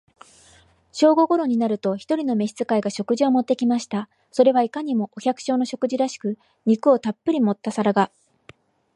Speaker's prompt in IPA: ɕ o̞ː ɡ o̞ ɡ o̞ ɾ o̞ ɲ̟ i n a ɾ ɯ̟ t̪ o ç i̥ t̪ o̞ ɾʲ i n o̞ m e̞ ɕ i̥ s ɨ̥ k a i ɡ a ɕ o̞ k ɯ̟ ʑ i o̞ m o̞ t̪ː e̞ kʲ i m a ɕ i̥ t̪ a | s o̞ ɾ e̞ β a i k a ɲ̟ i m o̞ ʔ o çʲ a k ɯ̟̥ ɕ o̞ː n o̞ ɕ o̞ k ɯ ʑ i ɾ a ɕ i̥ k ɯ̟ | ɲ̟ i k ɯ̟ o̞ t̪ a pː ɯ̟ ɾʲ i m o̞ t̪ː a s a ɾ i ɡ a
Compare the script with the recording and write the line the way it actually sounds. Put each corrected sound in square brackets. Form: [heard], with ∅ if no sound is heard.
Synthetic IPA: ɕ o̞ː ɡ o̞ ɡ o̞ ɾ o̞ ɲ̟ i n a ɾ ɯ̟ t̪ o ç i̥ t̪ o̞ ɾʲ i n o̞ m e̞ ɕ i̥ [t͡s] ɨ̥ k a i ɡ a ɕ o̞ k ɯ̟ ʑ i o̞ m o̞ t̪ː e̞ kʲ i m a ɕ i̥ t̪ a | s o̞ ɾ e̞ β a i k a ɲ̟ i m o̞ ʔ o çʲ a k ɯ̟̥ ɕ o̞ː n o̞ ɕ o̞ k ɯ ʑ i ɾ a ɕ i̥ k ɯ̟ | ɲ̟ i k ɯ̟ o̞ t̪ a pː ɯ̟ ɾʲ i m o̞ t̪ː a s a ɾ [a] ɡ a